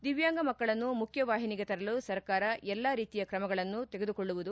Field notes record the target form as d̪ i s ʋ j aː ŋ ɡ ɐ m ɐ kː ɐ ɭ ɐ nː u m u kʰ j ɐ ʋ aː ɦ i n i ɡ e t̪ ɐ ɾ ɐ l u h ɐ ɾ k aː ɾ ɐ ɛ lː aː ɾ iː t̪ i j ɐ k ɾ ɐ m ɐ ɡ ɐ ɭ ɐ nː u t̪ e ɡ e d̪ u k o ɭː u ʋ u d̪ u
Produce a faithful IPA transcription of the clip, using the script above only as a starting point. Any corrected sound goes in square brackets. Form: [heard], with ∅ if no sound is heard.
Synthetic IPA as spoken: d̪ i [∅] ʋ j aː ŋ ɡ ɐ m ɐ kː ɐ ɭ ɐ nː u m u kʰ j ɐ ʋ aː ɦ i n i ɡ e t̪ ɐ ɾ ɐ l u [s] ɐ ɾ k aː ɾ ɐ ɛ lː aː ɾ iː t̪ i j ɐ k ɾ ɐ m ɐ ɡ ɐ ɭ ɐ nː u t̪ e ɡ e d̪ u k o ɭː u ʋ u d̪ u

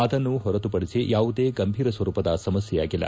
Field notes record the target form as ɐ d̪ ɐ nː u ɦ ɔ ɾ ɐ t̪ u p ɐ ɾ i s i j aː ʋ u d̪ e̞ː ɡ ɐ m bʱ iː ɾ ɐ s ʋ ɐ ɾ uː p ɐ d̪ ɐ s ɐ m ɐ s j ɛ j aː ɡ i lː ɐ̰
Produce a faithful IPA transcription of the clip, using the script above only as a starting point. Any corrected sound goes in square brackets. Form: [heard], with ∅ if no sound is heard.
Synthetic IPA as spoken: ɐ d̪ ɐ nː u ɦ ɔ ɾ ɐ t̪ u p ɐ [ɽ] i s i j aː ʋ u d̪ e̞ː ɡ ɐ m bʱ iː ɾ ɐ s ʋ ɐ ɾ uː p ɐ d̪ ɐ s ɐ m ɐ s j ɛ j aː ɡ i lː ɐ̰

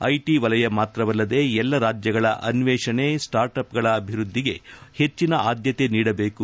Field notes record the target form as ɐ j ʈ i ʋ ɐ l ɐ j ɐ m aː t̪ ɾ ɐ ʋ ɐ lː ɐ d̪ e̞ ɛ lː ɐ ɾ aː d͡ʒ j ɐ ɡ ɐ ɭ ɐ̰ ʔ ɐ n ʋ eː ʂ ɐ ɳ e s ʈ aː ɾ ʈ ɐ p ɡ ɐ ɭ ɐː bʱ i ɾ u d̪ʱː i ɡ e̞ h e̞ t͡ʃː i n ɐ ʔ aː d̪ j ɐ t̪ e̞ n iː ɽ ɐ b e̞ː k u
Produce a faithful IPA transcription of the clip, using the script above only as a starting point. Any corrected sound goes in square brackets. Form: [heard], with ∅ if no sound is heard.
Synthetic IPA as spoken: ɐ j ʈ i ʋ ɐ l ɐ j ɐ m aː t̪ ɾ ɐ ʋ ɐ lː ɐ d̪ e̞ ɛ lː ɐ ɾ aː d͡ʒ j ɐ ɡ ɐ ɭ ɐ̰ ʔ ɐ n ʋ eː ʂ ɐ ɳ e s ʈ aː ɾ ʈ ɐ p ɡ ɐ ɭ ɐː bʱ i ɾ u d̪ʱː i ɡ e̞ h e̞ t͡ʃː i n ɐ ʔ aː d̪ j ɐ t̪ e̞ n iː ɽ ɐ b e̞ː k u

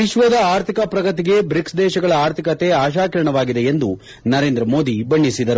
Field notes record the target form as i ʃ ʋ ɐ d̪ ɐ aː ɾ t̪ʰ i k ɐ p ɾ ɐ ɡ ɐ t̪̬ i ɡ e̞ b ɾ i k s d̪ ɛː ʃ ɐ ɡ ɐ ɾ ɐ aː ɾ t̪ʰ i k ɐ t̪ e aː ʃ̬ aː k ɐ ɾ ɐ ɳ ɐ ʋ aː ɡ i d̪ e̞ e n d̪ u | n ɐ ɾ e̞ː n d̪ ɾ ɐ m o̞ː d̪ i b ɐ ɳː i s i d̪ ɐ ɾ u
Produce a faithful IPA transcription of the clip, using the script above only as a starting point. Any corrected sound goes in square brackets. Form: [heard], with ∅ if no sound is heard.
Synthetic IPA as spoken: i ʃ ʋ ɐ d̪ ɐ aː ɾ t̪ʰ i k ɐ p ɾ ɐ ɡ ɐ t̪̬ i ɡ e̞ b ɾ i k s d̪ ɛː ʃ ɐ ɡ ɐ [ɭ] ɐ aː ɾ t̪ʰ i k ɐ t̪ e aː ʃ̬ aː k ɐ ɾ ɐ ɳ ɐ ʋ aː ɡ i d̪ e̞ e n d̪ u | n ɐ ɾ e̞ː n d̪ ɾ ɐ m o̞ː d̪ i b ɐ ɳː i s i d̪ ɐ ɾ u

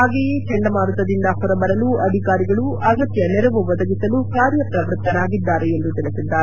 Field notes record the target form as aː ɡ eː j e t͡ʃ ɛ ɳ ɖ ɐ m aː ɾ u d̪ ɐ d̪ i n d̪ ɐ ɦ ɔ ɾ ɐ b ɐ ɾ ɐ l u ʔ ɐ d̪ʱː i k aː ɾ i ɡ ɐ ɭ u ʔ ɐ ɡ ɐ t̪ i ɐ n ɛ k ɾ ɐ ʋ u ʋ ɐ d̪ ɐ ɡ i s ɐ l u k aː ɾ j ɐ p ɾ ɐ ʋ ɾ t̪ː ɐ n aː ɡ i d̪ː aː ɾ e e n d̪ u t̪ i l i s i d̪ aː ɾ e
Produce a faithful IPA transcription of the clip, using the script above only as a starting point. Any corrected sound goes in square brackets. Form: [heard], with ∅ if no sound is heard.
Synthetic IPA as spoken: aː ɡ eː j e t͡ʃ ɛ ɳ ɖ ɐ m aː ɾ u [t̪] ɐ d̪ i n d̪ ɐ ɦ ɔ ɾ ɐ b ɐ ɾ ɐ l u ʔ ɐ [d̪ʱ] i k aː ɾ i ɡ ɐ ɭ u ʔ ɐ ɡ ɐ t̪ [j] ɐ n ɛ [∅] ɾ ɐ ʋ u ʋ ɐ d̪ ɐ ɡ i s ɐ l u k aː ɾ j ɐ p ɾ ɐ ʋ ɾ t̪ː ɐ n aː ɡ i d̪ː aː ɾ e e n d̪ u t̪ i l i s i [d̪ː] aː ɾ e

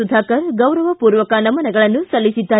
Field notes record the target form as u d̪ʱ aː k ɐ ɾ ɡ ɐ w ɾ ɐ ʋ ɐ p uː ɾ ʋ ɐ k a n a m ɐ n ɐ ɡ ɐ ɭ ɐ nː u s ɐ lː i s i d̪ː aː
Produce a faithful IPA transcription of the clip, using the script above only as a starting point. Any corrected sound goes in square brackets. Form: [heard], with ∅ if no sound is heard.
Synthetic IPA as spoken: u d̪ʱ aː k ɐ ɾ ɡ ɐ w ɾ ɐ ʋ ɐ p uː ɾ ʋ ɐ k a n [ɐ] m ɐ n ɐ ɡ ɐ ɭ ɐ nː u s ɐ lː i s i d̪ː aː

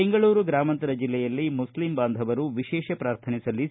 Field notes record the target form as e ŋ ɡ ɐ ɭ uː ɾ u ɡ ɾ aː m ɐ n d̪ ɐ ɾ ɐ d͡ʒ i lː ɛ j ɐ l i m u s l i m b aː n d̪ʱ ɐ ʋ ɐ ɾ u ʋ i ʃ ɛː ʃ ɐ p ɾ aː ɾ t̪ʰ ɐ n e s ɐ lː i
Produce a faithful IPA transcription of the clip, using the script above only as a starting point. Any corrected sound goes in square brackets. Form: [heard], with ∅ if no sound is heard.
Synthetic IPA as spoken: e ŋ ɡ ɐ ɭ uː ɾ u ɡ ɾ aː m ɐ n [t̪] ɐ ɾ ɐ d͡ʒ i lː ɛ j ɐ [lː] i m u s l i m b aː n d̪ʱ ɐ ʋ ɐ ɾ u ʋ i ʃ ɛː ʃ ɐ p ɾ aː ɾ t̪ʰ ɐ n [i] s ɐ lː i

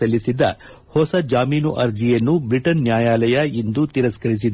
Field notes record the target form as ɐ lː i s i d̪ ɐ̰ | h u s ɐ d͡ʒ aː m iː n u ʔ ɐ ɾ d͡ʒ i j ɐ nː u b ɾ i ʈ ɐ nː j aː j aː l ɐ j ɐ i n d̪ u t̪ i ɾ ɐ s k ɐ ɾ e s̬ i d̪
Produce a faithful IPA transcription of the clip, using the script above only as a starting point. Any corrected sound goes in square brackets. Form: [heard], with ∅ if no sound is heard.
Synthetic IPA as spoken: ɐ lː i s i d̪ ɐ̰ | h [ɔ] s ɐ d͡ʒ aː m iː n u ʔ ɐ ɾ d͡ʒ i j ɐ nː u b ɾ i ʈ ɐ nː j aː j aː l ɐ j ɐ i n d̪ u t̪ i ɾ ɐ s k ɐ ɾ [i] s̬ i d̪

